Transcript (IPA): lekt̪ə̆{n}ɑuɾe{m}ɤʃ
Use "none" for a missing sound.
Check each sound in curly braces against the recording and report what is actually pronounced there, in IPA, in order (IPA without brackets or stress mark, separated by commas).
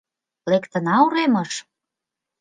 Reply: n, m